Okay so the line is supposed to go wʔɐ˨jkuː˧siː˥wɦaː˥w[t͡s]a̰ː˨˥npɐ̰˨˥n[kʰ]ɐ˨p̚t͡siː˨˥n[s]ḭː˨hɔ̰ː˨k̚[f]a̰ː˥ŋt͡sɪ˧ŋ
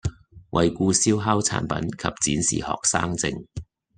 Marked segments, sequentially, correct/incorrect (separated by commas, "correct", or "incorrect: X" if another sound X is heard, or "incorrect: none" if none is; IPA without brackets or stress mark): incorrect: t͡sʰ, correct, correct, incorrect: s